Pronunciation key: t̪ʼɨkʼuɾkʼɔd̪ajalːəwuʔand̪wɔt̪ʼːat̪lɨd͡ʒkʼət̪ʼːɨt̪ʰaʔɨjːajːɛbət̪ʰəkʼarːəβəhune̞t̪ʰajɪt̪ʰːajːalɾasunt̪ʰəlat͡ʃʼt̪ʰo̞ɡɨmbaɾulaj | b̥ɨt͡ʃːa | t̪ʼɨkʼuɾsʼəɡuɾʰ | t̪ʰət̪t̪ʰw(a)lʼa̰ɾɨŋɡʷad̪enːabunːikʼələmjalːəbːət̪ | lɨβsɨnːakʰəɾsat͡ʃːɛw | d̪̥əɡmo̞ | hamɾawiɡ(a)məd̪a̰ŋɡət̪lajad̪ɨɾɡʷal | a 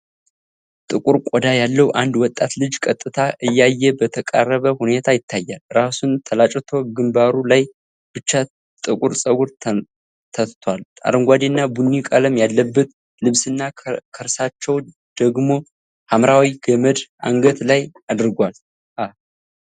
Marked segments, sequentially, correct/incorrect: correct, incorrect: ə

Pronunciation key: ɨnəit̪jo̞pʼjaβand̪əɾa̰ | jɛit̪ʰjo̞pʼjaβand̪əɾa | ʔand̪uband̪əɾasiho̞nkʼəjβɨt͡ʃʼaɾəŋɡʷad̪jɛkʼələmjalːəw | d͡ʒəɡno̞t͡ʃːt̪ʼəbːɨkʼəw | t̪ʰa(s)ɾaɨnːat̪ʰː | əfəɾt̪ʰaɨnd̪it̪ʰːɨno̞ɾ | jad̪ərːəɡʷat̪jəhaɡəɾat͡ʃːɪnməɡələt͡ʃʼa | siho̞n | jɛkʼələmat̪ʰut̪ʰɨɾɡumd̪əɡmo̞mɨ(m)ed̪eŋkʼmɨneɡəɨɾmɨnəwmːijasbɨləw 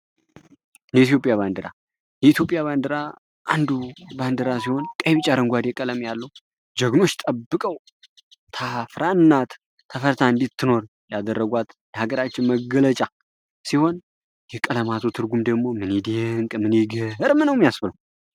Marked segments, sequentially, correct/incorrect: incorrect: f, incorrect: n

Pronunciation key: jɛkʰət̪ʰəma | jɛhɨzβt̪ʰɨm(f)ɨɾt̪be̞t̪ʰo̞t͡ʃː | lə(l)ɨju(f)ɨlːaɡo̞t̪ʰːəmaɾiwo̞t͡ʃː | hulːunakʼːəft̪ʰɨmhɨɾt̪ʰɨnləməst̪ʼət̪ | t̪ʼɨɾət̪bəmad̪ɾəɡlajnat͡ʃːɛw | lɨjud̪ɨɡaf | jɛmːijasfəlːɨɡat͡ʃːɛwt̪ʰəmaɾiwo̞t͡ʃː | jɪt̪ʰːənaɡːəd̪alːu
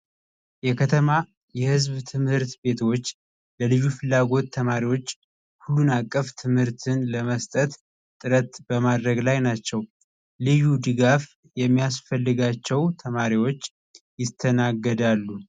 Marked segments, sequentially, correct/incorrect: incorrect: h, correct, correct

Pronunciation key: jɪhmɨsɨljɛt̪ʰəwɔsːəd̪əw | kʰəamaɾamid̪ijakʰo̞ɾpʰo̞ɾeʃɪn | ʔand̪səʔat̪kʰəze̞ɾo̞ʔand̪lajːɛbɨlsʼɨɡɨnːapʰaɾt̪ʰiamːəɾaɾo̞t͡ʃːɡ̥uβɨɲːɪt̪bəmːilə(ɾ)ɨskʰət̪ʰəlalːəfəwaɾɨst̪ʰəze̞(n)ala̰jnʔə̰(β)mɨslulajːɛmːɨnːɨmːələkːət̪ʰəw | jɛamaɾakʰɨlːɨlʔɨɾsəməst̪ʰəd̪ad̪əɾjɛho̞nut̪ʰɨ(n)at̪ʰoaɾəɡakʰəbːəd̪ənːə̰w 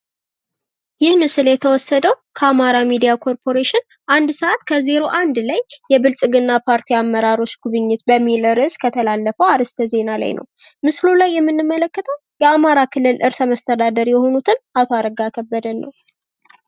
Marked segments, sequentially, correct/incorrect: correct, correct, incorrect: w, correct

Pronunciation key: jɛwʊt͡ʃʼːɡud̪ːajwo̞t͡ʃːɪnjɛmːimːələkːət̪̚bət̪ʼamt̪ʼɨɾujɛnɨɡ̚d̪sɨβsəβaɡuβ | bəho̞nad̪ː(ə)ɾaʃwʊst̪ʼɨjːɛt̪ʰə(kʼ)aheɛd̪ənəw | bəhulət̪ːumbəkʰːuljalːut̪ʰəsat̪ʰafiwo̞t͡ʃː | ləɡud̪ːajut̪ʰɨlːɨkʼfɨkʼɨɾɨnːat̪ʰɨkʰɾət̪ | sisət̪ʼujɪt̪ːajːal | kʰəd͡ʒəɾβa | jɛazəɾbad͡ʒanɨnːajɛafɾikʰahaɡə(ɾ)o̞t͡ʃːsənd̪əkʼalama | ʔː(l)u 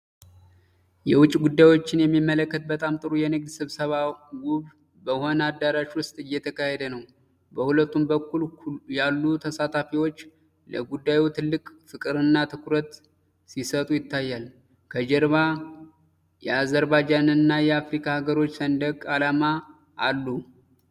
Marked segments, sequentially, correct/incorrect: incorrect: a, incorrect: k, correct, incorrect: lː

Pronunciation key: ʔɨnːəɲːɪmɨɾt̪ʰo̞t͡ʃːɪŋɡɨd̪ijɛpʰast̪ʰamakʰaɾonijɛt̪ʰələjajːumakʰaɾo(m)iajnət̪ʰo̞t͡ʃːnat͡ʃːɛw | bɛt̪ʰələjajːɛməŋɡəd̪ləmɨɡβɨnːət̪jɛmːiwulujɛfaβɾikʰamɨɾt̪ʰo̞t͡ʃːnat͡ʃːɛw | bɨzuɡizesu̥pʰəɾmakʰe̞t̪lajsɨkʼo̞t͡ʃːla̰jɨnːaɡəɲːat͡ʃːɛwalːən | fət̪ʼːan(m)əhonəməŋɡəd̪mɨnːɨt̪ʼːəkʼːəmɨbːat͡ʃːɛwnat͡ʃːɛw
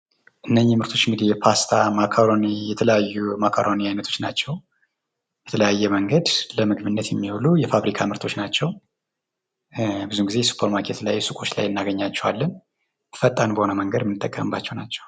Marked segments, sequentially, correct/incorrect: incorrect: n, incorrect: b

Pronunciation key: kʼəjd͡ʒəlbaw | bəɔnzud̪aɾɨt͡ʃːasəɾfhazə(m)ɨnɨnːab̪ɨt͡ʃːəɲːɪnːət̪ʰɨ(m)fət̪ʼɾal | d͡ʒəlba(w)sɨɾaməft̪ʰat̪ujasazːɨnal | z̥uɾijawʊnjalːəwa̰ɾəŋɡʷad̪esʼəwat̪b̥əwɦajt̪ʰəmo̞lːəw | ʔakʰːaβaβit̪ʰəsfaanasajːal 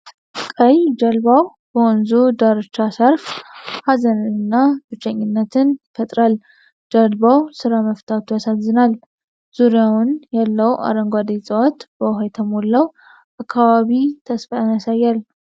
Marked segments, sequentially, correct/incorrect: incorrect: n, incorrect: n, correct

